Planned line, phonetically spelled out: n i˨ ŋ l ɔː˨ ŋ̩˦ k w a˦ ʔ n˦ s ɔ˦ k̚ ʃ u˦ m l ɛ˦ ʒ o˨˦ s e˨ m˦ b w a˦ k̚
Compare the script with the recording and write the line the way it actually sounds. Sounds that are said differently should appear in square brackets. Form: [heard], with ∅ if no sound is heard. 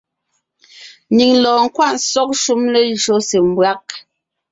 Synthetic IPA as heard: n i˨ ŋ l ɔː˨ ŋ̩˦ k w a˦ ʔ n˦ s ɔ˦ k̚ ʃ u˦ m l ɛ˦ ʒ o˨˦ s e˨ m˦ b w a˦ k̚

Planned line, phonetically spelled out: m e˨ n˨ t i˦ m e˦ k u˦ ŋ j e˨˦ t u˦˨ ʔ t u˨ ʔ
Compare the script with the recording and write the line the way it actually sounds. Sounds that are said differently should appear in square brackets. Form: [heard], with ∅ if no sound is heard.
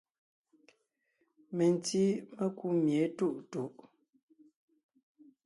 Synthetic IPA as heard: m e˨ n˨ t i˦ m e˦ k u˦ [m] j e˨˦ t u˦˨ ʔ t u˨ ʔ

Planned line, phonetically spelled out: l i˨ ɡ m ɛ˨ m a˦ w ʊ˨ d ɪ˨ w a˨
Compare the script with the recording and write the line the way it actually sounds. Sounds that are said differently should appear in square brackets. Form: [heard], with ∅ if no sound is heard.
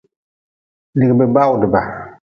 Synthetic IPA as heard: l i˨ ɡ [b] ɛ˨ [b] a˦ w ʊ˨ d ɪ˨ [b] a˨

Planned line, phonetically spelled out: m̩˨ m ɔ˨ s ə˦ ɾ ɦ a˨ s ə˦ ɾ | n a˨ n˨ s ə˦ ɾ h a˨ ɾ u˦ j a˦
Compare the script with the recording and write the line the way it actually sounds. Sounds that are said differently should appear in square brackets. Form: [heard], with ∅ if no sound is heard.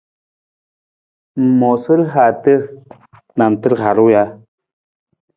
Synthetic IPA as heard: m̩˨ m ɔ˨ s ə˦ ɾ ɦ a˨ [t] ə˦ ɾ | n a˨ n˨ [t] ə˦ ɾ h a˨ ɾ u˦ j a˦

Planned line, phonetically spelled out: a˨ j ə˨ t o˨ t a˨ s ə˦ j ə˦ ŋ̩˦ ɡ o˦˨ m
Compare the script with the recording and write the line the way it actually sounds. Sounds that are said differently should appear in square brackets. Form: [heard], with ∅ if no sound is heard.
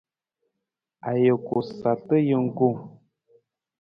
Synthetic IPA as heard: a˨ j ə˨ [k] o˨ [s] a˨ [t] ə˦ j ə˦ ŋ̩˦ ɡ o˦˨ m

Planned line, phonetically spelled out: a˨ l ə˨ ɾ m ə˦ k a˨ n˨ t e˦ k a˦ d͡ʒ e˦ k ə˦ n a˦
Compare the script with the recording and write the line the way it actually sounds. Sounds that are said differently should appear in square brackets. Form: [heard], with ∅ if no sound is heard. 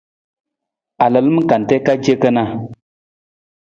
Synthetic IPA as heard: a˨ l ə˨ [l] m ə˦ k a˨ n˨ t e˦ k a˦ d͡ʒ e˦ k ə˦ n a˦

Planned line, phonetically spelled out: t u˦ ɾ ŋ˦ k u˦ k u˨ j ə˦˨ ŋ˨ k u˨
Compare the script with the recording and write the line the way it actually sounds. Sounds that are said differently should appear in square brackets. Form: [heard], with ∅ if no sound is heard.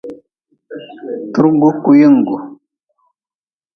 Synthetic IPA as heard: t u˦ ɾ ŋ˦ [ɡ] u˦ k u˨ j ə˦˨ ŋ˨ [ɡ] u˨

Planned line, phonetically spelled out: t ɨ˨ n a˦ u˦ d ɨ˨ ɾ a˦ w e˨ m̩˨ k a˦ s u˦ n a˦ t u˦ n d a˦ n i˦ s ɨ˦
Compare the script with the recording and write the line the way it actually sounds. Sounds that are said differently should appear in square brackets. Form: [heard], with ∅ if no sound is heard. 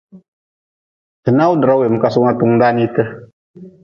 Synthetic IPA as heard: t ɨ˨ n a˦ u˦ d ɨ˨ ɾ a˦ w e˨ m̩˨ k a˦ s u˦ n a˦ t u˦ [ŋ] d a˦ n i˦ [t] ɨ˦

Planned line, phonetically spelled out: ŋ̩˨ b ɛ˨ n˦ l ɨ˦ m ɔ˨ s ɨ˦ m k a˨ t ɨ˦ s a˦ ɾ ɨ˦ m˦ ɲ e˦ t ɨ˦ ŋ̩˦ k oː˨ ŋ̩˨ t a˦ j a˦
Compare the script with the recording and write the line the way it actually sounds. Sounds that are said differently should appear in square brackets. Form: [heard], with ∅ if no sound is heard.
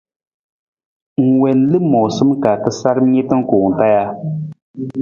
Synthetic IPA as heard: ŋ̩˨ [w] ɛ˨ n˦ l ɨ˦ m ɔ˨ s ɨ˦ m k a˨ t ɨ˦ s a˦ ɾ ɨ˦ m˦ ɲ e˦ t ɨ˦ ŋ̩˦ k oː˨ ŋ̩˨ t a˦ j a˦

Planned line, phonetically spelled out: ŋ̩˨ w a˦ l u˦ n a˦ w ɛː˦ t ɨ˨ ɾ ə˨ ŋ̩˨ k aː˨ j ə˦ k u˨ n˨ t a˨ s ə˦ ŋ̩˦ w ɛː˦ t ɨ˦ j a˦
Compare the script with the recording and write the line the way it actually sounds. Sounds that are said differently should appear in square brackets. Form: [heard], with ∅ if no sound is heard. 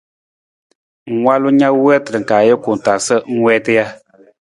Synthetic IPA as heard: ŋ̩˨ w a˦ l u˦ [ɲ] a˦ w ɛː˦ t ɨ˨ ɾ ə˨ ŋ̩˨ k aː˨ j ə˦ k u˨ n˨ t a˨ s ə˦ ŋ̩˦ w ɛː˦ t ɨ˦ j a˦

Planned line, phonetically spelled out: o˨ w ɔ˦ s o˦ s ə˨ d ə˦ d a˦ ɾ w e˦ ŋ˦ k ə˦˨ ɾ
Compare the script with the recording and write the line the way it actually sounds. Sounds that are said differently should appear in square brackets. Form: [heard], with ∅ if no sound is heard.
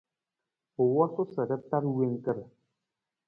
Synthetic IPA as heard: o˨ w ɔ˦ s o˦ s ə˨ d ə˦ [t] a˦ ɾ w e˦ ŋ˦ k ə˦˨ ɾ

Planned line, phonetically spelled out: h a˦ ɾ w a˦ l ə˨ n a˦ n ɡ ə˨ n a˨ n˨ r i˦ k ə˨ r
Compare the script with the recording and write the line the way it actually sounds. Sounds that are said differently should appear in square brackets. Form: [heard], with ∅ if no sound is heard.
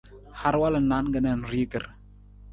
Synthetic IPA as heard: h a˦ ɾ w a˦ l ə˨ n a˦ n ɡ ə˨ n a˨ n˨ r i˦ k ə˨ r

